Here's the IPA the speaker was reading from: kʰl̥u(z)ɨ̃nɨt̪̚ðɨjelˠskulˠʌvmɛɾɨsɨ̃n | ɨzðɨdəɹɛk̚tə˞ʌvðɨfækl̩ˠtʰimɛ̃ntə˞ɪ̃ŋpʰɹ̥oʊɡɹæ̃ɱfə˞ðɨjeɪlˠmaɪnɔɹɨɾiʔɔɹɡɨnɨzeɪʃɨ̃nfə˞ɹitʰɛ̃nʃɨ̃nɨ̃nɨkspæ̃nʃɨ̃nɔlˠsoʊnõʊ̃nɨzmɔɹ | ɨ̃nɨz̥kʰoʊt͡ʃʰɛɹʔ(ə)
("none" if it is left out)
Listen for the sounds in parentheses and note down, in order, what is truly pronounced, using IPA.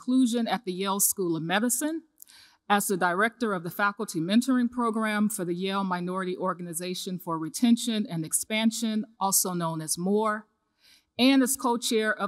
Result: ʒ, ʌ

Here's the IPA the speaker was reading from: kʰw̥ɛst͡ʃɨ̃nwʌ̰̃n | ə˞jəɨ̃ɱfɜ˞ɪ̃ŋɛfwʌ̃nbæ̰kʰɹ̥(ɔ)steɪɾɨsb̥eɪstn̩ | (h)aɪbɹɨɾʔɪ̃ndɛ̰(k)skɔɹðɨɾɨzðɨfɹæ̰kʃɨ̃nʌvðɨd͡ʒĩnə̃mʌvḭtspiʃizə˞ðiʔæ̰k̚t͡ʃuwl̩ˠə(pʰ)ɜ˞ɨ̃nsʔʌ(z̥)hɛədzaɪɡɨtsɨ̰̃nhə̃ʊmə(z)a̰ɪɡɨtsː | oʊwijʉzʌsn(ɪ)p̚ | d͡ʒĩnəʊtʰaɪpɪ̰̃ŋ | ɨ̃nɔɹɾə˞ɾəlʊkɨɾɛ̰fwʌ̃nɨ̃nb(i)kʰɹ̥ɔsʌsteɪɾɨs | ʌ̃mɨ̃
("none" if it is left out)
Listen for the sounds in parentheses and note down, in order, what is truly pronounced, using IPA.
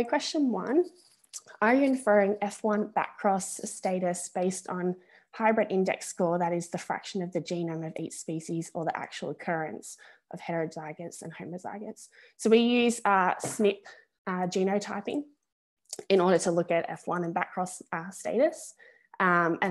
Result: ɔ, h, k, kʰ, v̥, z, ɪ, æ

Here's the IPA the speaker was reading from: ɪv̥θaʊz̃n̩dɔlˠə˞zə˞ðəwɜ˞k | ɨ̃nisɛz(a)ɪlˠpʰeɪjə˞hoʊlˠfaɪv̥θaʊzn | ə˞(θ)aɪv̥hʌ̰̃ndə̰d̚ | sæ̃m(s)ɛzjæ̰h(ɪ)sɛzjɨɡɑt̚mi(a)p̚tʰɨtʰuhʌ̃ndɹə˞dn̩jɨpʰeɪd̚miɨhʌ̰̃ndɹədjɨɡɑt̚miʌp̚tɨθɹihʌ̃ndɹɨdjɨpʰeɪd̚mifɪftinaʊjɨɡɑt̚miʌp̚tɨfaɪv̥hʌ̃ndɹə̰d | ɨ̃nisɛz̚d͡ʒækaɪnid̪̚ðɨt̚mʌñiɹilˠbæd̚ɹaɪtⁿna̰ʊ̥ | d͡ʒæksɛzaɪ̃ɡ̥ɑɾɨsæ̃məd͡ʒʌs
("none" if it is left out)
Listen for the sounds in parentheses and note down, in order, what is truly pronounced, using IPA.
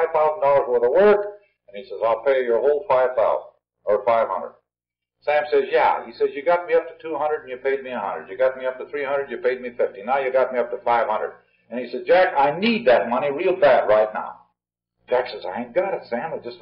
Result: a, f, s, i, ʌ

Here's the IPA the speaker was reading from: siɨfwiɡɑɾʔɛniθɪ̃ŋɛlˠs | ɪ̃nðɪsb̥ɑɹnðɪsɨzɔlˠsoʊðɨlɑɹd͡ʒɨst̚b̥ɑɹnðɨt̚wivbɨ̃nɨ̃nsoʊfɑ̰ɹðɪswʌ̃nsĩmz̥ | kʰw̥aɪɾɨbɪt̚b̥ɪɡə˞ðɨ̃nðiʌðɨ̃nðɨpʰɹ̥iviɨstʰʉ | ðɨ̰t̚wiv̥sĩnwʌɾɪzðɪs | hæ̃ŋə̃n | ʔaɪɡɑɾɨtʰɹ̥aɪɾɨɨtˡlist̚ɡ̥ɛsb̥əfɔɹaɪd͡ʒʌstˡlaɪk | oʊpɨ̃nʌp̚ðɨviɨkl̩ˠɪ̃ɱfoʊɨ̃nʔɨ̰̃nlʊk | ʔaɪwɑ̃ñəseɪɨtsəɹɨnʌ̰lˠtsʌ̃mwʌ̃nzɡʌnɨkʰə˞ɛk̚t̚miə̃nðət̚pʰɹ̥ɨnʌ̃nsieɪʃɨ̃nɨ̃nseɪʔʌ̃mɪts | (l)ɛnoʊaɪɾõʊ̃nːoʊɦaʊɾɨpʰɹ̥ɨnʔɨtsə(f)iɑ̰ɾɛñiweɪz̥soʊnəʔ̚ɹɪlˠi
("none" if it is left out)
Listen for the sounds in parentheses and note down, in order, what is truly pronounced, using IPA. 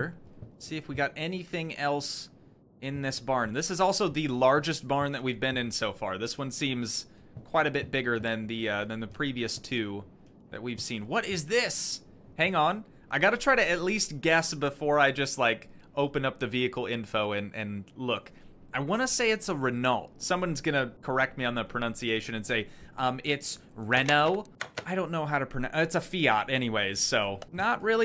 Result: ɹ, f

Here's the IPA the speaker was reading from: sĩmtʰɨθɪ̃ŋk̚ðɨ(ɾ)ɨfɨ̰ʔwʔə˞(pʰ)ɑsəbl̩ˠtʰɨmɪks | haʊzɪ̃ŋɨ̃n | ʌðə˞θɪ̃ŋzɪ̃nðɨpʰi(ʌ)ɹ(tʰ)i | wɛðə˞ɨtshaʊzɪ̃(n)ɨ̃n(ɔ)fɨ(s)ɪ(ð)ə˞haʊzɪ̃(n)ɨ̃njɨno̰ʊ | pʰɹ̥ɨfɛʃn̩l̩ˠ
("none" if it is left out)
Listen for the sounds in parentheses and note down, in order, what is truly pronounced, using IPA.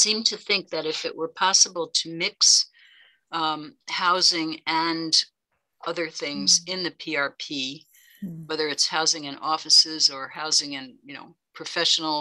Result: ɾ, pʰ, ɑ, pʰ, ŋ, ɔ, s, z, ŋ

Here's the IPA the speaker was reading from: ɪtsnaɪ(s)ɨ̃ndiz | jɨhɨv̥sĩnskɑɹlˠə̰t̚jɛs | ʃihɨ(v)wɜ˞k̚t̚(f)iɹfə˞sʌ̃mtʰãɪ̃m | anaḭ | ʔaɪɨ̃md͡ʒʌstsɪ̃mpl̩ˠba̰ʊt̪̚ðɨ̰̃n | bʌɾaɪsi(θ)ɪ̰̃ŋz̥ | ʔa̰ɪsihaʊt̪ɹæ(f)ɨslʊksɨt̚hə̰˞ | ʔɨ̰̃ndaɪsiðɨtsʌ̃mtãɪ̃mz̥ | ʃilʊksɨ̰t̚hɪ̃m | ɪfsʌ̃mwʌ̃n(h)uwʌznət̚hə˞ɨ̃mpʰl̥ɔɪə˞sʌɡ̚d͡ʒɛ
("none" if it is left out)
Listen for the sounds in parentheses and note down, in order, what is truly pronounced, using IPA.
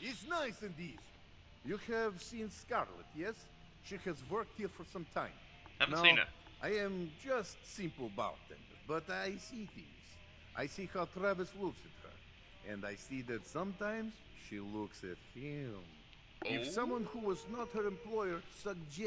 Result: s, z, h, θ, v, h

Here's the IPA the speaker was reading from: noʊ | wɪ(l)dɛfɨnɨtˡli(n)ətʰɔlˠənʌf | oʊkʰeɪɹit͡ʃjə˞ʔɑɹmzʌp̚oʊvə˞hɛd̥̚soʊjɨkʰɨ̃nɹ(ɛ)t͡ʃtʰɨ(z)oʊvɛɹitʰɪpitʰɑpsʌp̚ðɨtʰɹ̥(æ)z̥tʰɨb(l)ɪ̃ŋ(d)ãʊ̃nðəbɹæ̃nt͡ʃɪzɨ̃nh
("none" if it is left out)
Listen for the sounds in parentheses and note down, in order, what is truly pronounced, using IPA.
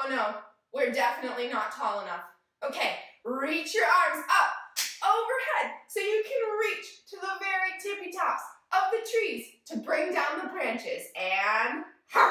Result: ɹ, n, i, ð, i, ɹ, d

